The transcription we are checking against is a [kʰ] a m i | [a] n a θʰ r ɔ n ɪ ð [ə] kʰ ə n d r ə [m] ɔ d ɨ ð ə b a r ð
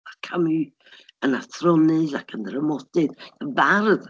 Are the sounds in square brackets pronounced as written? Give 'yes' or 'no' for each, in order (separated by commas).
yes, no, no, yes